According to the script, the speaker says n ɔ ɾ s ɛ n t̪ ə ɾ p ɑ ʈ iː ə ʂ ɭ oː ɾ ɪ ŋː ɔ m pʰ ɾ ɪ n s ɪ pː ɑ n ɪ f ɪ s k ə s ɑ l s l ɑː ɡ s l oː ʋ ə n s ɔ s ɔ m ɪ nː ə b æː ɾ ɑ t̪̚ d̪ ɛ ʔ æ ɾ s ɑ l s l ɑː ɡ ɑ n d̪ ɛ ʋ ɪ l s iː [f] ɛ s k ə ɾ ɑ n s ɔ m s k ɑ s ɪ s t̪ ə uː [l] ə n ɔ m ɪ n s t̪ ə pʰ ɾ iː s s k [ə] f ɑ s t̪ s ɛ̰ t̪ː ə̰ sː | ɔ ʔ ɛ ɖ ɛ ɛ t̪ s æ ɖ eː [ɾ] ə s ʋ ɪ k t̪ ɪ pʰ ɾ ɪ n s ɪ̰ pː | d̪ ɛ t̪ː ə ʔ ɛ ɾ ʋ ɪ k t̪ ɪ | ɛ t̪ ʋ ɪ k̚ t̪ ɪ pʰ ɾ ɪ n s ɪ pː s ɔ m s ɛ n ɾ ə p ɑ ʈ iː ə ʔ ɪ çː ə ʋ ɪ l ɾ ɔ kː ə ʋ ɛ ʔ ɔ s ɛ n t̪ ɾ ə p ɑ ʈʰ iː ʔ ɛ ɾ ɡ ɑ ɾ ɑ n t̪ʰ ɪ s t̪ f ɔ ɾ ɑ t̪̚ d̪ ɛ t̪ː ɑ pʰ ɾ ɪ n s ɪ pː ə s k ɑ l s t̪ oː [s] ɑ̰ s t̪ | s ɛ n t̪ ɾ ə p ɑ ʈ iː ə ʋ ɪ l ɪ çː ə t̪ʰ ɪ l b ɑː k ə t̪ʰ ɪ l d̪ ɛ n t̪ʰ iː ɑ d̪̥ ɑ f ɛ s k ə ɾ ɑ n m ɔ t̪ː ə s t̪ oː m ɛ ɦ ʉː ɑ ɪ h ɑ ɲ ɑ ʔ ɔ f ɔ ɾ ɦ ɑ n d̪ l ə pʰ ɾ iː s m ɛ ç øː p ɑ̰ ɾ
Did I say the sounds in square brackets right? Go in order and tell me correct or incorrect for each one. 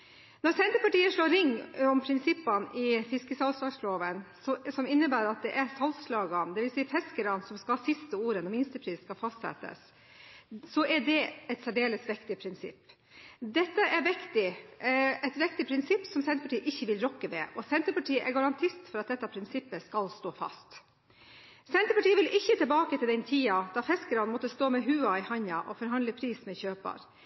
correct, incorrect: ɾ, incorrect: ɑ, incorrect: l, incorrect: f

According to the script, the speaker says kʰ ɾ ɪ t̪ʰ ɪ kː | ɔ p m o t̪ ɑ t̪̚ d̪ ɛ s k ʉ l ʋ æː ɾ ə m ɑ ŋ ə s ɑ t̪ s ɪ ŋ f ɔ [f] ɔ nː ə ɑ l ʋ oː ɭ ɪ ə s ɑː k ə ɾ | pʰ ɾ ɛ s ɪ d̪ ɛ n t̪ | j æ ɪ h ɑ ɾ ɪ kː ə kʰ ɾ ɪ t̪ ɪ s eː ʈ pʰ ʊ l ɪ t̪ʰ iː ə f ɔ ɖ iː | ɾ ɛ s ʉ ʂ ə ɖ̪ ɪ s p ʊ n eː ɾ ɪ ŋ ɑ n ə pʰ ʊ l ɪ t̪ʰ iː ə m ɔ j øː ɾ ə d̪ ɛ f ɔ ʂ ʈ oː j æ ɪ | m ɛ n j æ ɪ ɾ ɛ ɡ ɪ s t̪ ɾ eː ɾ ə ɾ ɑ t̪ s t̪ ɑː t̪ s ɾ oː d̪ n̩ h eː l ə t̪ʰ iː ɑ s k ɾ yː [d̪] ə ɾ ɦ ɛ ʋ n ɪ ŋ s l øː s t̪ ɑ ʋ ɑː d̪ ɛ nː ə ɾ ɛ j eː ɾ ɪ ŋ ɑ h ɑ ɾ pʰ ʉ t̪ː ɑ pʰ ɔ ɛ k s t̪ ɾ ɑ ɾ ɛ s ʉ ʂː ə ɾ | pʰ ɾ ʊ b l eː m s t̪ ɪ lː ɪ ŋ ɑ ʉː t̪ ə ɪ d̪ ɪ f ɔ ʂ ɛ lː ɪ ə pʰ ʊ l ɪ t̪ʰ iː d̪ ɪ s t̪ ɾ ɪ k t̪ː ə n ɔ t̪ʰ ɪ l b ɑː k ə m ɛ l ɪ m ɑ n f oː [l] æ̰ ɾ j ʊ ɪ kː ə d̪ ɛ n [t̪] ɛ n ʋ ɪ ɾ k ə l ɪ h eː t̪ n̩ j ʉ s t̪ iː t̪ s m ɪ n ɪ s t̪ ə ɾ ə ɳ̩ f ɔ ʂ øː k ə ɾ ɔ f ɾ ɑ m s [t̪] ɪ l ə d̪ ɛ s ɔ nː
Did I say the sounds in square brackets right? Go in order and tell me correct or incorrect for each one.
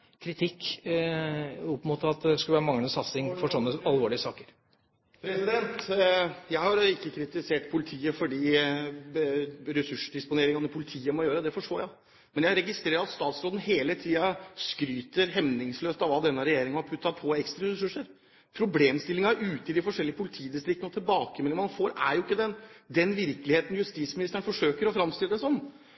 incorrect: ʂ, incorrect: t̪, incorrect: ɾ, incorrect: d̪, correct

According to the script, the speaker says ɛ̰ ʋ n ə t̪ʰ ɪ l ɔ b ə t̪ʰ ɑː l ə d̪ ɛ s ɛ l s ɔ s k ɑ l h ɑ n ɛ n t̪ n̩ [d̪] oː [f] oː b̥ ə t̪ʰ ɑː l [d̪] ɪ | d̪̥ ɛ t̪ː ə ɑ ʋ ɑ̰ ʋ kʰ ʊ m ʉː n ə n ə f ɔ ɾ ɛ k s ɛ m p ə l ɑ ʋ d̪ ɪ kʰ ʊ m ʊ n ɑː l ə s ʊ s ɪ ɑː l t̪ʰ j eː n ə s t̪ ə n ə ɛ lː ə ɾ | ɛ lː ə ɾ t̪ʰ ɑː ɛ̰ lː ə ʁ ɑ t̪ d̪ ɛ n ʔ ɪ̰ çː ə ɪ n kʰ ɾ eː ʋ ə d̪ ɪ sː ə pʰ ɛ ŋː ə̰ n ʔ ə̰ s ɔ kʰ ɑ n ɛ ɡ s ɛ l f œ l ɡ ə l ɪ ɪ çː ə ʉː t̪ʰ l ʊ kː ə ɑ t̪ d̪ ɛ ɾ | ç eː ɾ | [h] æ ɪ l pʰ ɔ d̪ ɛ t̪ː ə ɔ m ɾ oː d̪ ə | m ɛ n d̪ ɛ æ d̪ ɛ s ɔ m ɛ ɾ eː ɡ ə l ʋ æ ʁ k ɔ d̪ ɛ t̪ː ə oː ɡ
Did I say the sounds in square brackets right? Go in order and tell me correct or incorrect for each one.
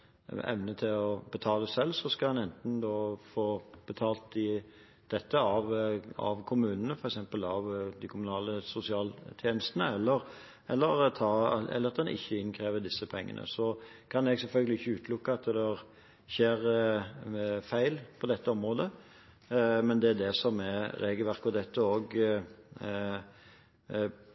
correct, correct, incorrect: t̪, incorrect: f

